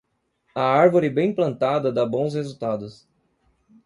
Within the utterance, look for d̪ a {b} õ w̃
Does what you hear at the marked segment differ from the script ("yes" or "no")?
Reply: no